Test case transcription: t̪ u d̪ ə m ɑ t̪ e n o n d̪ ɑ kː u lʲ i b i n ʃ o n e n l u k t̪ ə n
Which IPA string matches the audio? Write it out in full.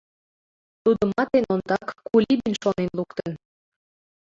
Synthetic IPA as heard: t̪ u d̪ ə m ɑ t̪ e n o n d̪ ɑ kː u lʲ i b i n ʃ o n e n l u k t̪ ə n

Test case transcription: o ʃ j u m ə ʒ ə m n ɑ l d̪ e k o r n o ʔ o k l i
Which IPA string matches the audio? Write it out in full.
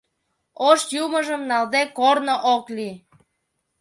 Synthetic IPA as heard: o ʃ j u m ə ʒ ə m n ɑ l d̪ e k o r n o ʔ o k l i

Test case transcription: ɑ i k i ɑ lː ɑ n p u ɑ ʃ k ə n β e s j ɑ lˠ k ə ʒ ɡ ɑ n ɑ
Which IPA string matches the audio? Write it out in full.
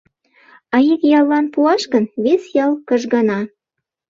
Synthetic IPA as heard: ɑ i k j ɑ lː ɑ n p u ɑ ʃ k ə n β e s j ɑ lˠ k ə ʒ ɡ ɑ n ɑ

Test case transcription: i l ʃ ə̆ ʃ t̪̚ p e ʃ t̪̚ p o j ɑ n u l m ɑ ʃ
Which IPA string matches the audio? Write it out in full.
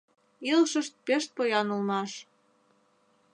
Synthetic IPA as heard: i l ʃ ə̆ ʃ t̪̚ p e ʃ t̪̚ p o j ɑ n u l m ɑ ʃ

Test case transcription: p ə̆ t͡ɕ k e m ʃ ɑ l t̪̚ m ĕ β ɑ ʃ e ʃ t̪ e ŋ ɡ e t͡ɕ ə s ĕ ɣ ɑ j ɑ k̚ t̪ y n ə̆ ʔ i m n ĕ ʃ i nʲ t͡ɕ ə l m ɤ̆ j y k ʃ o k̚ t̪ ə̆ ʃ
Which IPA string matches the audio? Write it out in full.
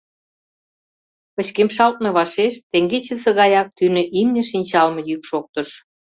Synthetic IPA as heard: p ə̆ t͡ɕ k e m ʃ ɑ l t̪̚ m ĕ β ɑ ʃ e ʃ t̪ e ŋ ɡ e t͡ɕ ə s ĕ ɣ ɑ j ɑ k̚ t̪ y n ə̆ ʔ i m n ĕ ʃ i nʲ t͡ɕ ɑ l m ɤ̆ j y k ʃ o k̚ t̪ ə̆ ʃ

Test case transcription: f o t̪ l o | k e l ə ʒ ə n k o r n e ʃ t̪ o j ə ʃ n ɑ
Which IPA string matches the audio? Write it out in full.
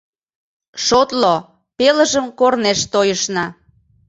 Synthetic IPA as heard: ʃ o t̪ l o | p e l ə ʒ ə m k o r n e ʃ t̪ o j ə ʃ n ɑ

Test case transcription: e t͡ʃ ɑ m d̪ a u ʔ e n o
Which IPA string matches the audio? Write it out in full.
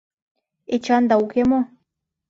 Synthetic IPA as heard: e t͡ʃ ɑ n d̪ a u k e m o

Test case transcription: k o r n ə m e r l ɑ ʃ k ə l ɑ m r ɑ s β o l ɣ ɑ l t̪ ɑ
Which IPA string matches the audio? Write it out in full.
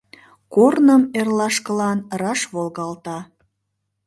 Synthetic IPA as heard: k o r n ə m e r l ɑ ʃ k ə l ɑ n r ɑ ʃ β o l ɣ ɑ l t̪ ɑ

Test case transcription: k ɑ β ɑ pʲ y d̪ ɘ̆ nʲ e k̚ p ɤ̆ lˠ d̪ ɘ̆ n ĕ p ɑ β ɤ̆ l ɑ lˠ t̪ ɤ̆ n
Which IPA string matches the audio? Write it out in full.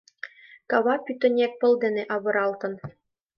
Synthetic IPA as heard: k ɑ β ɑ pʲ y t̪ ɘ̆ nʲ e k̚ p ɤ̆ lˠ d̪ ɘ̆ n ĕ ʔ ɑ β ɤ̆ ɾ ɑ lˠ t̪ ɤ̆ n

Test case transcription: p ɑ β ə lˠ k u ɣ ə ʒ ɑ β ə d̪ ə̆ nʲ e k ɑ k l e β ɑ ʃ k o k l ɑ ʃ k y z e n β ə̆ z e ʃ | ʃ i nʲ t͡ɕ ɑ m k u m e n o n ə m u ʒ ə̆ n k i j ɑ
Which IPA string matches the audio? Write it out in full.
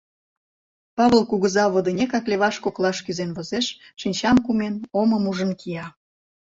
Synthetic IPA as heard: p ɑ β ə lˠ k u ɣ ə z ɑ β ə d̪ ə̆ nʲ e k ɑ k l e β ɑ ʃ k o k l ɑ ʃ k y z e n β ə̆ z e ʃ | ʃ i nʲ t͡ɕ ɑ m k u m e n o m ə m u ʒ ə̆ n k i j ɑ

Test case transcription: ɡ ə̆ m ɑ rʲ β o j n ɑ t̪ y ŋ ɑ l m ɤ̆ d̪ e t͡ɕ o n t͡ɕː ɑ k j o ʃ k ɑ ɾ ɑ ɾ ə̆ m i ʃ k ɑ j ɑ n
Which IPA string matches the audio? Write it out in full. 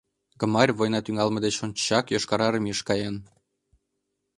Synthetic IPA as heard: ɡ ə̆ m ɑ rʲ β o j n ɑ t̪ y ŋ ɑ l m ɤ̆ d̪ e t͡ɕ o n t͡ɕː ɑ k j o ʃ k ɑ ɾ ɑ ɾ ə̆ m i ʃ k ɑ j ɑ n

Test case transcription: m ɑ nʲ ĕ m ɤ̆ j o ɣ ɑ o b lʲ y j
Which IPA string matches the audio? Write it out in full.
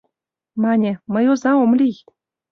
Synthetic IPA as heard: m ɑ nʲ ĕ m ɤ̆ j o z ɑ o m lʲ i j

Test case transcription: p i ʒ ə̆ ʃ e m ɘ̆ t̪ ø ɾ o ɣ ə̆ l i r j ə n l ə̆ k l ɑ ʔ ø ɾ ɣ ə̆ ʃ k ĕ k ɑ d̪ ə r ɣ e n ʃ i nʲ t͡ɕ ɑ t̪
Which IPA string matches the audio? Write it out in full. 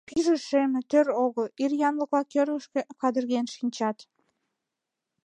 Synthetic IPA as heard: p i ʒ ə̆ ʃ e m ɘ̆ t̪ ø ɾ o ɣ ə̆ l i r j ɑ n l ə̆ k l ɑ k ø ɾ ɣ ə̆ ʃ k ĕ k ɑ d̪ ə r ɣ e n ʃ i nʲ t͡ɕ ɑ t̪

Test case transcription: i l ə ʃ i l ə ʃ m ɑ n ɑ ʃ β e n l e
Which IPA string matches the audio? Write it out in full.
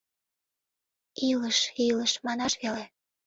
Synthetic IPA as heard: i l ə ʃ i l ə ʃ m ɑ n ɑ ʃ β e l e

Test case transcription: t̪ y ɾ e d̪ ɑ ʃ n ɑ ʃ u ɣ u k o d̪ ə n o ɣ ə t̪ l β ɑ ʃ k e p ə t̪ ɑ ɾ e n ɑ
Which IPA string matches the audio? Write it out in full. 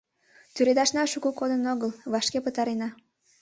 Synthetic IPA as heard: t̪ y ɾ e d̪ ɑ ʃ n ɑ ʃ u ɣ u k o d̪ ə n o ɣ ə l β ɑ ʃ k e p ə t̪ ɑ ɾ e n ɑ

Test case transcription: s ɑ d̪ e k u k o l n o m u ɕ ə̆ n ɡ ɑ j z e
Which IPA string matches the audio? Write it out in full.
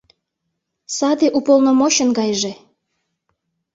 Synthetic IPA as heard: s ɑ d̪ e ʔ u p o l n o m o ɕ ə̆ n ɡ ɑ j ʒ e

